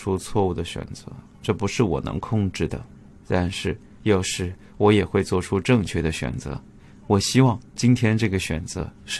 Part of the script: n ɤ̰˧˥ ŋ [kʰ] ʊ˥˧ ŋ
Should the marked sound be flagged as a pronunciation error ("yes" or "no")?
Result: no